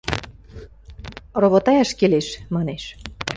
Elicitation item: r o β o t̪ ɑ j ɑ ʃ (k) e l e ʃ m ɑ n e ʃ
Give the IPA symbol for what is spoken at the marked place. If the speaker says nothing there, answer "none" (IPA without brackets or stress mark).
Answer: k